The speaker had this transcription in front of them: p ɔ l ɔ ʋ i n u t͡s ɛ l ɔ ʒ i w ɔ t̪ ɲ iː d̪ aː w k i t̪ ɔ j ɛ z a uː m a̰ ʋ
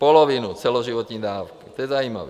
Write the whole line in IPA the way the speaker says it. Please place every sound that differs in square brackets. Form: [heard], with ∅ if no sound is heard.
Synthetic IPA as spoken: p ɔ l ɔ ʋ i n u t͡s ɛ l ɔ ʒ i [ʋ] ɔ t̪ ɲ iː d̪ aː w k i t̪ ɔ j ɛ z a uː m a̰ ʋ